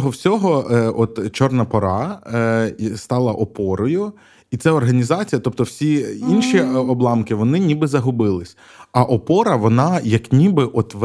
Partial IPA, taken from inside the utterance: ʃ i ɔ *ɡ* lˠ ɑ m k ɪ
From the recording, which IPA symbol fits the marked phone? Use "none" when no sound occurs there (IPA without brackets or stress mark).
b